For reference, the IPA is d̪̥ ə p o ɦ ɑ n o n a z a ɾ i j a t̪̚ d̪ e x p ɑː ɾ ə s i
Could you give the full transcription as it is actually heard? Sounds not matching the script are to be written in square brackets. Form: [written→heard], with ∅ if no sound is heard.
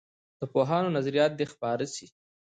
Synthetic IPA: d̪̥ ə p o ɦ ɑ n o n a z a ɾ i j [a→ɑ] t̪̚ d̪ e x p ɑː ɾ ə s i